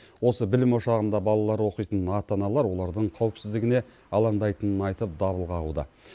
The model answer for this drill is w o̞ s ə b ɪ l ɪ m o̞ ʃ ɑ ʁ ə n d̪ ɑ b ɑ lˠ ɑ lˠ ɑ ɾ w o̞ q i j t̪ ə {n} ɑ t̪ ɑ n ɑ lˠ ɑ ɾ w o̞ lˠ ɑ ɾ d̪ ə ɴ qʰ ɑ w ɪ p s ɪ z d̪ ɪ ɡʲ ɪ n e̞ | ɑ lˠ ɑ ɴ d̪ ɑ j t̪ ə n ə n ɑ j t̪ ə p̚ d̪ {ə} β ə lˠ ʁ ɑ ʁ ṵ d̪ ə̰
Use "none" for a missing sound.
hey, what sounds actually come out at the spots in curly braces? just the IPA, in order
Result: n, ɑ

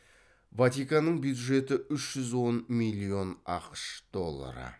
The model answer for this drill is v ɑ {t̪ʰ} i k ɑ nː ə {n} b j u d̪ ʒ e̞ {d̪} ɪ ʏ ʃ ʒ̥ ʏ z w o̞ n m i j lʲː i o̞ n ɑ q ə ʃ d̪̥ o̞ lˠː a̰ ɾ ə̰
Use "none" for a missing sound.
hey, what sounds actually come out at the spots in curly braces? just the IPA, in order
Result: t̪, ɴ, t̪

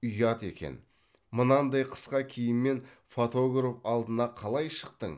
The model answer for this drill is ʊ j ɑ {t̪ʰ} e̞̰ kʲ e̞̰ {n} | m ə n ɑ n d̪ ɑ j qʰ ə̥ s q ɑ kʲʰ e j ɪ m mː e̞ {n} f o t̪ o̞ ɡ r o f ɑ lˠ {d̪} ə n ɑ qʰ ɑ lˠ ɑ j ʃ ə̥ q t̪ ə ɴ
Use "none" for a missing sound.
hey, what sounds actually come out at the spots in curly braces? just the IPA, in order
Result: t̪, n, n, d̪

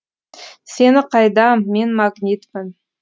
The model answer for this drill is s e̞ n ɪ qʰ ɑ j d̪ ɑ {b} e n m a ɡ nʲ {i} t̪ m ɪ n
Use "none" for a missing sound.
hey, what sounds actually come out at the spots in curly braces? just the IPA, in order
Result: m, i

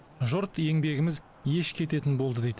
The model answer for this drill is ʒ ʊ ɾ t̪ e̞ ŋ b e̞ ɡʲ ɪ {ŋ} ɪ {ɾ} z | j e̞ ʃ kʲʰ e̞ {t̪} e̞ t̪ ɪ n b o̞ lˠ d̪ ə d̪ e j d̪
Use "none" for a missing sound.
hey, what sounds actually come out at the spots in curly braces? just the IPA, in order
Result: m, none, t̪

